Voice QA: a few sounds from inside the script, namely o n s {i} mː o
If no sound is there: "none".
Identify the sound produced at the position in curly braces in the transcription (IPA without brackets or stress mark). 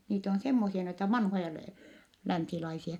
e